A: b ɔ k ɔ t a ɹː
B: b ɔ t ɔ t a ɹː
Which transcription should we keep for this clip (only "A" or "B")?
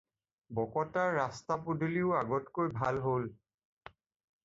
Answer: A